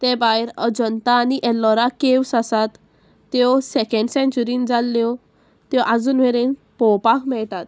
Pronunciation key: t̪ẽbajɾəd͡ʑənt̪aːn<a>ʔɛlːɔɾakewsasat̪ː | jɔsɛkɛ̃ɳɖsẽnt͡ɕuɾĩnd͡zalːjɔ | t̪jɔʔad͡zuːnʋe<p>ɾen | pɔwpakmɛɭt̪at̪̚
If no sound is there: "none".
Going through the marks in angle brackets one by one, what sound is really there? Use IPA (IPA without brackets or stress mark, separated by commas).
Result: i, none